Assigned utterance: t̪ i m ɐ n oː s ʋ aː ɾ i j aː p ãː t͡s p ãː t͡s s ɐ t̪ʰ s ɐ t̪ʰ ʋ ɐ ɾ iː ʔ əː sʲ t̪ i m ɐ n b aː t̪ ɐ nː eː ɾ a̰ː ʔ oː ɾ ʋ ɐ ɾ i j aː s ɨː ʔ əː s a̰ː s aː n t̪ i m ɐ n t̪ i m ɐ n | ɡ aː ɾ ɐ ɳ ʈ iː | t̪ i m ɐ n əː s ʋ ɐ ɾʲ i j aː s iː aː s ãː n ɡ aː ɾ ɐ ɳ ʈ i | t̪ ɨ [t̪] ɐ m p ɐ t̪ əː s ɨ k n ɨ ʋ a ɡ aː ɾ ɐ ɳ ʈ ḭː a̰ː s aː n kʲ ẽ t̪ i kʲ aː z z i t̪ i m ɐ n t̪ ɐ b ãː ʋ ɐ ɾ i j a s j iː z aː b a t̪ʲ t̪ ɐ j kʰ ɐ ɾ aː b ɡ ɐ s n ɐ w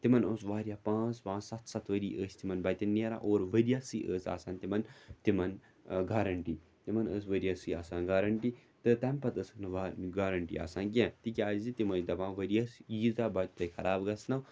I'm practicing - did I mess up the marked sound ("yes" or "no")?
no